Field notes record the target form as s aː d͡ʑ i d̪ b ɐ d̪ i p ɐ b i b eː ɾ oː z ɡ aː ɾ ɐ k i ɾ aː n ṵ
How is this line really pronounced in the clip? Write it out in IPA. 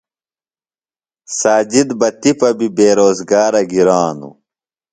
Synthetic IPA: s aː d͡ʑ i d̪ b ɐ t̪ i p ɐ b i b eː ɾ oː z ɡ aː ɾ ɐ ɡ i ɾ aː n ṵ